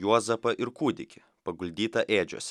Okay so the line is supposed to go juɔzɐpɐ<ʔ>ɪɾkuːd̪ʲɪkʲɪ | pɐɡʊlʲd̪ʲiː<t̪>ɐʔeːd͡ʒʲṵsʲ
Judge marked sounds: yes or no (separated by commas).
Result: yes, yes